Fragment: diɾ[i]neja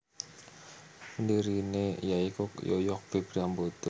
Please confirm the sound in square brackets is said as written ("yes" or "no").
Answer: yes